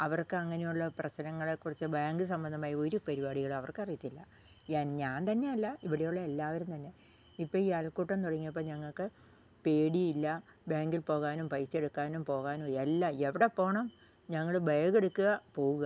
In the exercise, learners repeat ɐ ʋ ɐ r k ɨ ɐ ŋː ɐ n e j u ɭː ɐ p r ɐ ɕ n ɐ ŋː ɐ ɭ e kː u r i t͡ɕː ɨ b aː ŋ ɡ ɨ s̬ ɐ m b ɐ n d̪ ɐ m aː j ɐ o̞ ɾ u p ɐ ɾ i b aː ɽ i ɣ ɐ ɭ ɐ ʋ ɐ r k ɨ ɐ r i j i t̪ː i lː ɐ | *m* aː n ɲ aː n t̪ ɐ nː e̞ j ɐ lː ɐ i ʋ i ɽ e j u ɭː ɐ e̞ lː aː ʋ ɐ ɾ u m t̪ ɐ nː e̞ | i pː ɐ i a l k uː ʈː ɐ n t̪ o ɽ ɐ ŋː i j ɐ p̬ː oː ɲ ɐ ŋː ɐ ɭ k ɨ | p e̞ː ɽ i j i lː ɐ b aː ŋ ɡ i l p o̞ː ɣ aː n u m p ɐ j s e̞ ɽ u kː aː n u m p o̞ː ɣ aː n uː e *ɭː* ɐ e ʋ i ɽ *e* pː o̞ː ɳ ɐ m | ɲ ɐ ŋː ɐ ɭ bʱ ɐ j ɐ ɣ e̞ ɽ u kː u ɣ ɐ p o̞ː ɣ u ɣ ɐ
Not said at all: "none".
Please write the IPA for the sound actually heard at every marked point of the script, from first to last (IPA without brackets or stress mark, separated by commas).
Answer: ɲ, lː, e